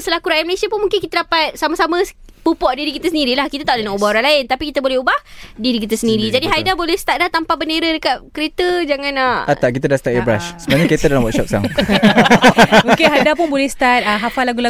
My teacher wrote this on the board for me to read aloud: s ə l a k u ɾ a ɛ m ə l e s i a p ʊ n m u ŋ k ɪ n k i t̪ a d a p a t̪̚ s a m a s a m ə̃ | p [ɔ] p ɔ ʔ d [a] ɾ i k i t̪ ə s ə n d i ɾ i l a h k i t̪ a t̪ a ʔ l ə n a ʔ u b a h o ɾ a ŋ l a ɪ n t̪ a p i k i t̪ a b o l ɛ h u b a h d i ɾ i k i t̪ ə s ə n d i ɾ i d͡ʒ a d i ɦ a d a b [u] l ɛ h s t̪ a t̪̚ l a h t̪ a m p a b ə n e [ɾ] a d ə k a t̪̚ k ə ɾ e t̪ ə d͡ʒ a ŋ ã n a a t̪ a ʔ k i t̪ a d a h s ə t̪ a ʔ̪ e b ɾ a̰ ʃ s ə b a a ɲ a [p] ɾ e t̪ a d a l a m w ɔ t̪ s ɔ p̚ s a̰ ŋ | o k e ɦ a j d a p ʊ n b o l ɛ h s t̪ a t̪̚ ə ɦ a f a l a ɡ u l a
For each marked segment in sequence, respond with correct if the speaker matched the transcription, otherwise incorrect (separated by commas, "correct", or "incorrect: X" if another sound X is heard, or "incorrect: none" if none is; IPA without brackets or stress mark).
incorrect: u, incorrect: i, incorrect: o, correct, incorrect: k